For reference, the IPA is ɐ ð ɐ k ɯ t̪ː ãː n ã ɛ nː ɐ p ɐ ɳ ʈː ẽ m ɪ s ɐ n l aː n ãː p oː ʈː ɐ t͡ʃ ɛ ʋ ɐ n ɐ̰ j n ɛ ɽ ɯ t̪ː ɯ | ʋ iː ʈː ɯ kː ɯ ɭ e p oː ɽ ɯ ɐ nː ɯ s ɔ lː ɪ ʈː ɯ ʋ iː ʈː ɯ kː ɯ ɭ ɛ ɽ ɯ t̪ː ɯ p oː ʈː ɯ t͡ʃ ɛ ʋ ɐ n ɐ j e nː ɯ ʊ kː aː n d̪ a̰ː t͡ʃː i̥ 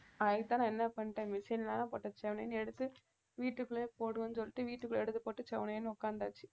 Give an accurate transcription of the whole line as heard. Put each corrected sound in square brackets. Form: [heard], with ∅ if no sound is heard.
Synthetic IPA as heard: ɐ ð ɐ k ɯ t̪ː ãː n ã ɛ nː ɐ p ɐ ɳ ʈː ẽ m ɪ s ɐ n l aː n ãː p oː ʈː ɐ t͡ʃ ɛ ʋ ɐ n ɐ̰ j n ɛ ɽ ɯ t̪ː ɯ | ʋ iː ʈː ɯ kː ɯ ɭ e p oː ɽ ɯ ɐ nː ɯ s ɔ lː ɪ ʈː ɯ ʋ iː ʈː ɯ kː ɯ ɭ ɛ ɽ ɯ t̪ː ɯ p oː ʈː ɯ t͡ʃ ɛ ʋ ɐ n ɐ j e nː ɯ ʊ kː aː n d̪ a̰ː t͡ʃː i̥